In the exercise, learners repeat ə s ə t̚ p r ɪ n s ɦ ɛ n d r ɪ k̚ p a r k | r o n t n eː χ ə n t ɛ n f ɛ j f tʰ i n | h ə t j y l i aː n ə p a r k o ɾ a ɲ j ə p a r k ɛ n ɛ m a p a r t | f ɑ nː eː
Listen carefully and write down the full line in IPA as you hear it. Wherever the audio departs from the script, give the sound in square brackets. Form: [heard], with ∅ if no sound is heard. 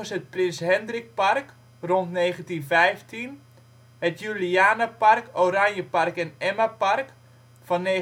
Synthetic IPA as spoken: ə s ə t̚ p r ɪ n s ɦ ɛ n d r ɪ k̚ p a r k | r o n t n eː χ ə n t [i] n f ɛ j f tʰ i n | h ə t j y l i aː n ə p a r k o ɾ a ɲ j ə p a r k ɛ n ɛ m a p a r [k] | f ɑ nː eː